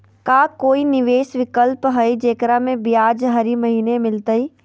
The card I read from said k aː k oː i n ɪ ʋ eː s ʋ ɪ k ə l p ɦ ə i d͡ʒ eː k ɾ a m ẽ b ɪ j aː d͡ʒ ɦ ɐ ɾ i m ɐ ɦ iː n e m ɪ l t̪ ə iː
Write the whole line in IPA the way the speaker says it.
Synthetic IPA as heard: k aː k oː i n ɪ ʋ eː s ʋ ɪ k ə l p ɦ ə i d͡ʒ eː k ɾ a m ẽ b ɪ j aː d͡ʒ ɦ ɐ ɾ i m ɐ ɦ iː n e m ɪ l t̪ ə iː